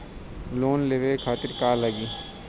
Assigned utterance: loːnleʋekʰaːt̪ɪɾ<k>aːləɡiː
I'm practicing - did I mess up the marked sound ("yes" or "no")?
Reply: no